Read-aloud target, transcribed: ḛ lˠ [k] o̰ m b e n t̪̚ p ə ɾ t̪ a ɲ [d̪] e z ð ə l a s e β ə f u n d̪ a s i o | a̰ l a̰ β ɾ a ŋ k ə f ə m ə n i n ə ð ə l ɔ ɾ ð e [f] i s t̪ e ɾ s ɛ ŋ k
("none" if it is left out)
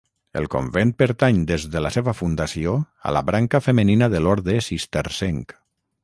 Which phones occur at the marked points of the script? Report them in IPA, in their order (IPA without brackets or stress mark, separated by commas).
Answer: k, d̪, s